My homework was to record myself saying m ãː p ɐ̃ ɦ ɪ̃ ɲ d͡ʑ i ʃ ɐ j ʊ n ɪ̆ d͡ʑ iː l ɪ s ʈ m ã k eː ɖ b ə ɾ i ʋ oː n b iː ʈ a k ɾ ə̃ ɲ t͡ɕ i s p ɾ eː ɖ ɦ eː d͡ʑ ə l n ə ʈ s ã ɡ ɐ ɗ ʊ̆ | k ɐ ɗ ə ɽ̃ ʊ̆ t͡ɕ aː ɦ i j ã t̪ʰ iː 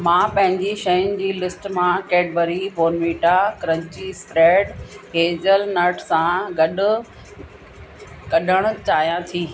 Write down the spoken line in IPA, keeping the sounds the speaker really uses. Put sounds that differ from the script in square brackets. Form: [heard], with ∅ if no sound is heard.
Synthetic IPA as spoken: m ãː p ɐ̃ ɦ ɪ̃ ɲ d͡ʑ i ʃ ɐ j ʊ n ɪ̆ d͡ʑ iː l ɪ s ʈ m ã k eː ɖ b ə ɾ i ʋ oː n [m] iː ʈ a k ɾ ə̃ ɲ t͡ɕ i s p ɾ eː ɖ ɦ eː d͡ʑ ə l n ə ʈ s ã ɡ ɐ ɗ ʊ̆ | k ɐ ɗ ə ɽ̃ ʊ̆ t͡ɕ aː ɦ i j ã t̪ʰ iː